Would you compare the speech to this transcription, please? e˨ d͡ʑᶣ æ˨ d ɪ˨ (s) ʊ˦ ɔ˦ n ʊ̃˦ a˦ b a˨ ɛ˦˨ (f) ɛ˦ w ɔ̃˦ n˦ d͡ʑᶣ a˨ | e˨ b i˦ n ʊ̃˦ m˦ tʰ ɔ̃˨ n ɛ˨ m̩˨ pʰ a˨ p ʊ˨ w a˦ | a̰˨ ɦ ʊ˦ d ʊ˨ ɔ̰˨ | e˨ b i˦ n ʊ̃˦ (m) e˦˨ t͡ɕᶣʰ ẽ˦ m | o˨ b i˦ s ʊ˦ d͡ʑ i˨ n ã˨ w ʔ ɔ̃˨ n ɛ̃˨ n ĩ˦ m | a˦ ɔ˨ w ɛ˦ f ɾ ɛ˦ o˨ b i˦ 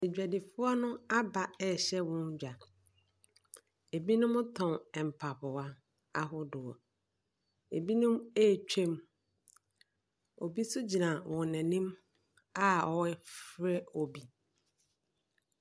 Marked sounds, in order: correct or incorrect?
incorrect, incorrect, correct

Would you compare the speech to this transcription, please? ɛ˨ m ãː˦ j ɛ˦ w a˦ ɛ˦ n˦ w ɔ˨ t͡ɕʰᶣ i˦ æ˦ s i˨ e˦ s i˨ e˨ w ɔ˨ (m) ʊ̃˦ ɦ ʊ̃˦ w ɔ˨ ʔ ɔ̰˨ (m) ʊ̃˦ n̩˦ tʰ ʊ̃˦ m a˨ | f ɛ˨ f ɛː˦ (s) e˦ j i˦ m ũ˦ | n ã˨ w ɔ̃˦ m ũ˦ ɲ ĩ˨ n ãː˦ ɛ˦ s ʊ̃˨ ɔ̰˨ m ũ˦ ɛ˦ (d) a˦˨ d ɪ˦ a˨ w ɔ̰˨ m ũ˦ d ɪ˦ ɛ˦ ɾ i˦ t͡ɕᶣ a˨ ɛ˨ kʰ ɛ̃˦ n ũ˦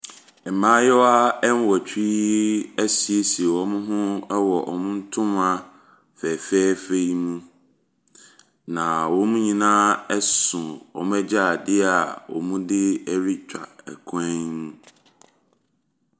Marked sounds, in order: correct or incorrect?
correct, correct, incorrect, incorrect

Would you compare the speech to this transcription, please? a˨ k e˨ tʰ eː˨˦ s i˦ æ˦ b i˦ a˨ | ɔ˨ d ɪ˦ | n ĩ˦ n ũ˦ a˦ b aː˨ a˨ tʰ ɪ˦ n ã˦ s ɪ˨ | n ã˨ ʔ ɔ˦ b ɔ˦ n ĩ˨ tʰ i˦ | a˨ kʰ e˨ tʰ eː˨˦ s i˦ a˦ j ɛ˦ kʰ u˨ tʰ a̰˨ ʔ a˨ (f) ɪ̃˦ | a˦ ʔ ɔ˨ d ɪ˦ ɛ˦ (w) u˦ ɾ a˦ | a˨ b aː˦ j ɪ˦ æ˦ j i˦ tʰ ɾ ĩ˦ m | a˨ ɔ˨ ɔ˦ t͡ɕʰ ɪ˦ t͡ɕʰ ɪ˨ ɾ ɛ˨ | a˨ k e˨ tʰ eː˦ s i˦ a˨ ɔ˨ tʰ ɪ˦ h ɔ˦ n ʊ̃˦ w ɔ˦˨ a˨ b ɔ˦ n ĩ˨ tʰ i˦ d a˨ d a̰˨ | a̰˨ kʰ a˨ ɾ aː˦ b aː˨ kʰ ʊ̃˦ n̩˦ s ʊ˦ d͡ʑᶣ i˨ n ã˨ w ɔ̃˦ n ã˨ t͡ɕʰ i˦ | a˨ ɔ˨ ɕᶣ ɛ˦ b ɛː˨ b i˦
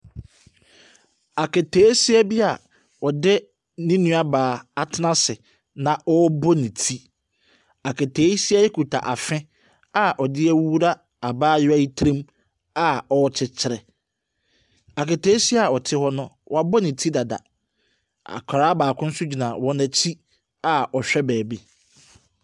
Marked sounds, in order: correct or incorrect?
correct, correct

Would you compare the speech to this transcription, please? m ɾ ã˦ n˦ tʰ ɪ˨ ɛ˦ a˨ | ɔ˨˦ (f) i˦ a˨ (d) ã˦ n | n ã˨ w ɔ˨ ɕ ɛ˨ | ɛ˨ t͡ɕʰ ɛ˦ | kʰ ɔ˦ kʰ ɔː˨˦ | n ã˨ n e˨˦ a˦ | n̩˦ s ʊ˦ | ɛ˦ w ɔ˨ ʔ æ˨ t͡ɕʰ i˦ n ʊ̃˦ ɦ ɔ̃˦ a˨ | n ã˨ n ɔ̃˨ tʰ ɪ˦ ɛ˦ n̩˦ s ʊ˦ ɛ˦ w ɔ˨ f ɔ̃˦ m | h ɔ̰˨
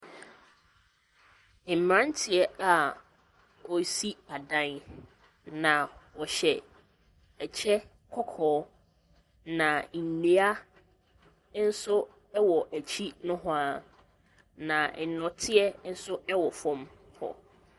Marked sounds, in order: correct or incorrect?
incorrect, correct

